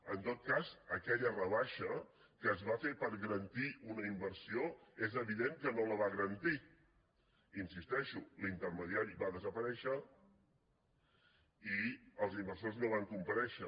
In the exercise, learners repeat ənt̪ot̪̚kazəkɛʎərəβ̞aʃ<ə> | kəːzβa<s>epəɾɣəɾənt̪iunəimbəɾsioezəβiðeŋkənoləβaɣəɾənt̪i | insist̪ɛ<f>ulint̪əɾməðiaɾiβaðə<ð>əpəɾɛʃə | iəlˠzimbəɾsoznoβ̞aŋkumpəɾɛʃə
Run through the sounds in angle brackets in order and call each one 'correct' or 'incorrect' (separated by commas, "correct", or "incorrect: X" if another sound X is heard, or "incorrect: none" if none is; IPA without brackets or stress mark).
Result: correct, incorrect: f, incorrect: ʃ, incorrect: z